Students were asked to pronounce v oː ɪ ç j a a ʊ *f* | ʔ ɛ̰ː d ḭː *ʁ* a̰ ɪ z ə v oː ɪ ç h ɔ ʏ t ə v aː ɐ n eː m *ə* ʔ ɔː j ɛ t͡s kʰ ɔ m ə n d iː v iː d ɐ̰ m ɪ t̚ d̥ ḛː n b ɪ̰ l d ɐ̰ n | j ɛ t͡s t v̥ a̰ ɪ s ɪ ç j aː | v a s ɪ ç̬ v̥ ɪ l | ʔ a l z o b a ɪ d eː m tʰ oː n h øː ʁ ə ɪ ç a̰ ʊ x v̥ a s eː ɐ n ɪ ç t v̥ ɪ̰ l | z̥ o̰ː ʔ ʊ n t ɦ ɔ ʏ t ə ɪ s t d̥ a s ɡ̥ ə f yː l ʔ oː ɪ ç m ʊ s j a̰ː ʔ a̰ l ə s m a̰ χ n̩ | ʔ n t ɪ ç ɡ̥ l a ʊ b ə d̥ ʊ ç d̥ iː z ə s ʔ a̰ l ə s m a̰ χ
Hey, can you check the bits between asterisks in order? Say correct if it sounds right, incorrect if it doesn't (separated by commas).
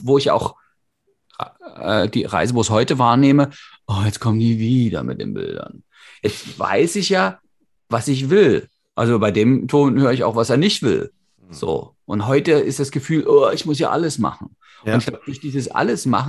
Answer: incorrect, correct, correct